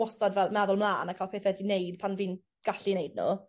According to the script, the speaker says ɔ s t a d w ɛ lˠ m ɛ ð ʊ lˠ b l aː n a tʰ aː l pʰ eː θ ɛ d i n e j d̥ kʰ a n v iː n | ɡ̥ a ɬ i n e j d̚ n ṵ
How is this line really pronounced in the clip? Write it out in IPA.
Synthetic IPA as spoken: ɔ s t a d v ɛ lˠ m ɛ ð ʊ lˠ m l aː n a kʰ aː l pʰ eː θ ɛ d i n e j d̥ pʰ a n v iː n | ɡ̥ a ɬ i n e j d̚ n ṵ